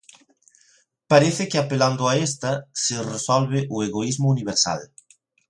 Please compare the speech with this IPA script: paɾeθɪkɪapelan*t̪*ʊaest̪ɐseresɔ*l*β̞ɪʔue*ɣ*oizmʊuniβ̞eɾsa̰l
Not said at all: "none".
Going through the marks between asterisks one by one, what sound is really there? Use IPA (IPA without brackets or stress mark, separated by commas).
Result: d̪, l, ɣ